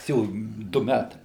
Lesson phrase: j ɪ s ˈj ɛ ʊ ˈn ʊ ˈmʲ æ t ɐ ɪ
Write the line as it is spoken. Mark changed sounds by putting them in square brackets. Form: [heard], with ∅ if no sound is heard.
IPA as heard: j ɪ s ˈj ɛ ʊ [ˈd] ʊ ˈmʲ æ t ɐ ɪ